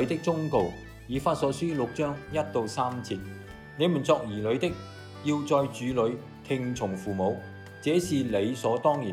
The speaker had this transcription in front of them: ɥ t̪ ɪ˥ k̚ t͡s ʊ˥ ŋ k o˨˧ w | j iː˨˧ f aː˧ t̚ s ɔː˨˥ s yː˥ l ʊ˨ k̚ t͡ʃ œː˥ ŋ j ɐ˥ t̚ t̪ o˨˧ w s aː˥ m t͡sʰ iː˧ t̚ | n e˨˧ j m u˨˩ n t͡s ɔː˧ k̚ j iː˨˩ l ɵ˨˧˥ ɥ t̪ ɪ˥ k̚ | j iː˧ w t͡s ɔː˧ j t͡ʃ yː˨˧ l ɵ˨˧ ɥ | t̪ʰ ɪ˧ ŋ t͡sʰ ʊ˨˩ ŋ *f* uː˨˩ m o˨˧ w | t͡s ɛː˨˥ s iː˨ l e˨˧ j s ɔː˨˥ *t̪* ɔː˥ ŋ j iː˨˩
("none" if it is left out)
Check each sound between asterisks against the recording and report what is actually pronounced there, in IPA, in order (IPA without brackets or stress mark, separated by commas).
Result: f, t̪